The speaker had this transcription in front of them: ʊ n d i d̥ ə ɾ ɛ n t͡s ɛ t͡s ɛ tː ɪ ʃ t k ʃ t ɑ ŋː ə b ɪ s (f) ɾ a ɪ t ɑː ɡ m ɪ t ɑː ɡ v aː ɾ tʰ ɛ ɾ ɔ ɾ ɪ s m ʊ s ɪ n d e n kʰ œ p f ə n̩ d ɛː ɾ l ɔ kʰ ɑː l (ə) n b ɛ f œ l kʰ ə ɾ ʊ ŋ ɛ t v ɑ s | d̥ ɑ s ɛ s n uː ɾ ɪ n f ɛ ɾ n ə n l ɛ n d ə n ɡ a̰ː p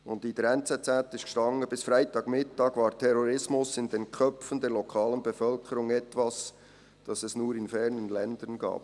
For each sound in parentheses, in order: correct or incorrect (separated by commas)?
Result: correct, correct